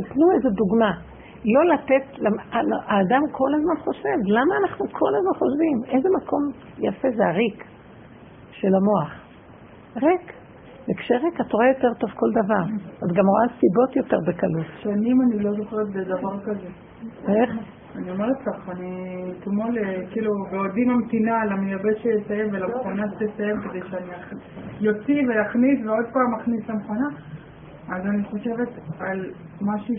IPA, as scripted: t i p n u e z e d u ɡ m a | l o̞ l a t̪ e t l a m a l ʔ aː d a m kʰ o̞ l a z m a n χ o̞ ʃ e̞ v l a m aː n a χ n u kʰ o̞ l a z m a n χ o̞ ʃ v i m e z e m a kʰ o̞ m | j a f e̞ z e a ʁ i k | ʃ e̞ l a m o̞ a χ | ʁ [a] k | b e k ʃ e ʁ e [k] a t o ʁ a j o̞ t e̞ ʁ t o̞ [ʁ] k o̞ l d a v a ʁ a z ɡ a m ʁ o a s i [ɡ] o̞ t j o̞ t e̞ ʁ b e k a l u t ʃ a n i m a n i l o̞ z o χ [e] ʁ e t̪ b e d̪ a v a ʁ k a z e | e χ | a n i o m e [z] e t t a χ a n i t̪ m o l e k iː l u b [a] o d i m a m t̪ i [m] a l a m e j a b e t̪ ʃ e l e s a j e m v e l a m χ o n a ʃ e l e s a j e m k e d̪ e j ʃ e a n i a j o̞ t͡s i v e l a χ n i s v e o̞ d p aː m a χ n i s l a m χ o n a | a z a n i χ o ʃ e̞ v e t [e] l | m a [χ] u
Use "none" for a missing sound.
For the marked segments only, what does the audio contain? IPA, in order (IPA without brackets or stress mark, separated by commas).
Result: e, k, v, b, e, ʁ, e, n, a, ʃ